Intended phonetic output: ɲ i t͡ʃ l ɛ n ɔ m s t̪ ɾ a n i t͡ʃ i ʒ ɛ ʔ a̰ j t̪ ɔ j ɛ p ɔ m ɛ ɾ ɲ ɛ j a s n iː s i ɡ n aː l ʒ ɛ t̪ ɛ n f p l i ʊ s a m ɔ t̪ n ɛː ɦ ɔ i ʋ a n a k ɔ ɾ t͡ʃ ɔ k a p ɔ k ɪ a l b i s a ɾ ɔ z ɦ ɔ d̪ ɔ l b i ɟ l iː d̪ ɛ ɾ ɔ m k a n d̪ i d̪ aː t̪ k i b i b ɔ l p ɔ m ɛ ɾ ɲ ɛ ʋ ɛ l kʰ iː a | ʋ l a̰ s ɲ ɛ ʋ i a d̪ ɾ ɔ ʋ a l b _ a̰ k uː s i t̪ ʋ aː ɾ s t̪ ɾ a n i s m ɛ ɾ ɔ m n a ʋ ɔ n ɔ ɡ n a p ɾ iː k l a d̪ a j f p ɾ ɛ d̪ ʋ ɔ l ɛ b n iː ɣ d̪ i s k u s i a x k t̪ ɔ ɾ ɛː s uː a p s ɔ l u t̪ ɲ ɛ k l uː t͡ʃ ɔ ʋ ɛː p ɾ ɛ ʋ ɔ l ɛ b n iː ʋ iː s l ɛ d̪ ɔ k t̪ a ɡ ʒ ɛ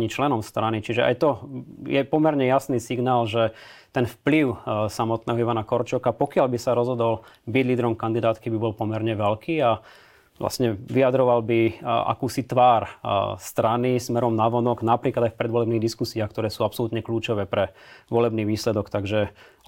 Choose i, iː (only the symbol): i